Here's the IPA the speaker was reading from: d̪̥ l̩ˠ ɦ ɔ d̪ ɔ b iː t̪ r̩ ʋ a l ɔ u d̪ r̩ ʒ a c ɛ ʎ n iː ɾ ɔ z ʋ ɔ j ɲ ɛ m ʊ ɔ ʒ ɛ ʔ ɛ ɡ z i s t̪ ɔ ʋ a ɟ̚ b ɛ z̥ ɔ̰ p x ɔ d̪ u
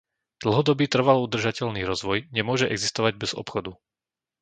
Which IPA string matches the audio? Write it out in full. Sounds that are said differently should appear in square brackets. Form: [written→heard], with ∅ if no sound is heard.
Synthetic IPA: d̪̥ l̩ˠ ɦ ɔ d̪ ɔ b iː t̪ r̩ ʋ a l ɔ u d̪ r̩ ʒ a c ɛ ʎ n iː ɾ ɔ z ʋ ɔ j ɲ ɛ m ʊ ɔ ʒ ɛ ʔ ɛ ɡ z i s t̪ ɔ ʋ a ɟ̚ b ɛ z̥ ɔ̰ p x ɔ d̪ u